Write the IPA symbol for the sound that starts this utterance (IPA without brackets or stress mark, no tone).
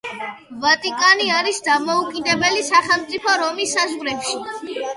v